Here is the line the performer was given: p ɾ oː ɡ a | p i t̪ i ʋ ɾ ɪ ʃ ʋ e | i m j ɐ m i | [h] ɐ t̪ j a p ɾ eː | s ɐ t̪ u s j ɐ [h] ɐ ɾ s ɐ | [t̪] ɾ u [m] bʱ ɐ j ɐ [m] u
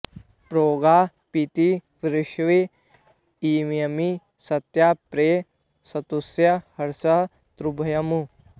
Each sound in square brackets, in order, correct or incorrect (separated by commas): incorrect, correct, correct, incorrect, correct